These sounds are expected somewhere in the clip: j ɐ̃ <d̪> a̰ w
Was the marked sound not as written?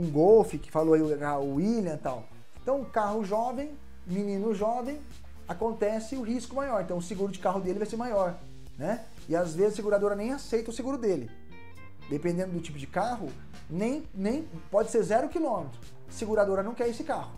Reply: yes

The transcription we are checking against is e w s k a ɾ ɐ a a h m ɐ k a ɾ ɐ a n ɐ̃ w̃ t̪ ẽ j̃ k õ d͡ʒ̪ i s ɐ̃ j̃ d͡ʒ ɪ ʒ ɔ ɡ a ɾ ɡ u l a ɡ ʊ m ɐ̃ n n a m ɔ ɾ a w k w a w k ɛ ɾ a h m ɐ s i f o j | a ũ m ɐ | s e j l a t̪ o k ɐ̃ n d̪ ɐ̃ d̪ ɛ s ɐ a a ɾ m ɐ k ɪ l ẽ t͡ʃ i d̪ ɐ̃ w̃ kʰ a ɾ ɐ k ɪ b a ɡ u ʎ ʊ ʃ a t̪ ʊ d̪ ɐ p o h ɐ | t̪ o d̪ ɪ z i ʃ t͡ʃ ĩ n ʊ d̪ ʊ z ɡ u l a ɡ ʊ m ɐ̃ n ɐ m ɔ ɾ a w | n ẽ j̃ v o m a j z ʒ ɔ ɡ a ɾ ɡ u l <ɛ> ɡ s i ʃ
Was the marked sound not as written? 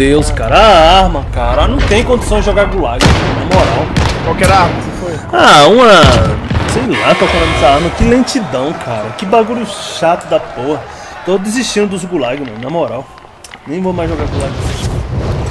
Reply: yes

